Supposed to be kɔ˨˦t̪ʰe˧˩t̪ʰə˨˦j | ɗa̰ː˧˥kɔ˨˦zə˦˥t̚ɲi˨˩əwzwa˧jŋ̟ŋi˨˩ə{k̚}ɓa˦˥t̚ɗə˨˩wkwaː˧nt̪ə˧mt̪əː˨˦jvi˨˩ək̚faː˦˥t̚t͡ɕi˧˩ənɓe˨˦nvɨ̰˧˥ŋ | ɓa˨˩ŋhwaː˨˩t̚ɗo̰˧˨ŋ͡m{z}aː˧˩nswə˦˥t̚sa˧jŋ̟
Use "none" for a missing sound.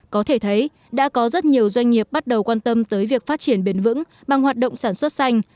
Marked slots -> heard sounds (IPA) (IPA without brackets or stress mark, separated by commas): p̚, s